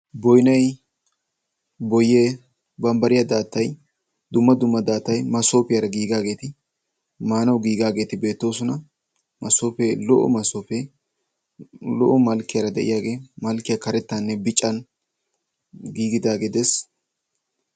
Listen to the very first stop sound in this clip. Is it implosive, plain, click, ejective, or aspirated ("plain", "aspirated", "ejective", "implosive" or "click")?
plain